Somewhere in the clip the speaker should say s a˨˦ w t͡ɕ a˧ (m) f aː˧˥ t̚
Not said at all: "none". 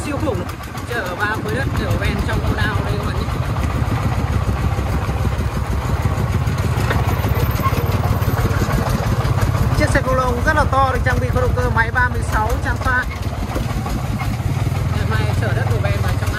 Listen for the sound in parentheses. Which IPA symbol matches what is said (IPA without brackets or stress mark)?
m